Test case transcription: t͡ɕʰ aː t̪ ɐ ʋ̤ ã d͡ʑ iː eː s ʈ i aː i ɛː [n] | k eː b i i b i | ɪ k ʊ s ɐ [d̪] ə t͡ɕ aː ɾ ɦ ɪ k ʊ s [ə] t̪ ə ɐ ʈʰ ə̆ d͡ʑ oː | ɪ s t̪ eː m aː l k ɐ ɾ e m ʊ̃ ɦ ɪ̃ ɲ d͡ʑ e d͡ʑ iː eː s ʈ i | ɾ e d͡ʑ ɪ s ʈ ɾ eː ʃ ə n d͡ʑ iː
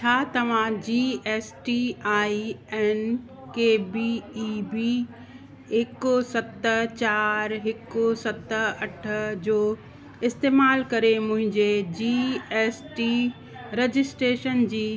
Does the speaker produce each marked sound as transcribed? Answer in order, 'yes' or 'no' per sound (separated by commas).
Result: yes, no, no